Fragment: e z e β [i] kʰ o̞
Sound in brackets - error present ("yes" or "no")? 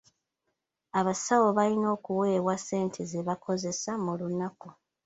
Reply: yes